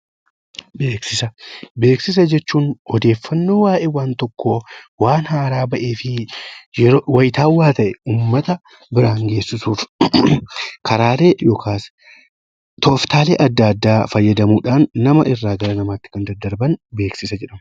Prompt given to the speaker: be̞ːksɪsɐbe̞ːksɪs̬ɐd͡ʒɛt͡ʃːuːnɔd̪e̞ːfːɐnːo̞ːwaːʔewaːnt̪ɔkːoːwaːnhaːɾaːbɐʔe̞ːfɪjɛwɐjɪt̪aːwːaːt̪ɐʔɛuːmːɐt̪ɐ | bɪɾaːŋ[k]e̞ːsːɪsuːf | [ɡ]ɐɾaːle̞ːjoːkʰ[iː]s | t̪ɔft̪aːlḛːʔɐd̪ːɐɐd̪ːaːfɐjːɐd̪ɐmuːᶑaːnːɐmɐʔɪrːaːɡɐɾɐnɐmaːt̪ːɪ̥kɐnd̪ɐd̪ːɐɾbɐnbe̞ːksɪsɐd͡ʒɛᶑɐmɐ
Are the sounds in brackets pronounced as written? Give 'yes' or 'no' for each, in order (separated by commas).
no, no, no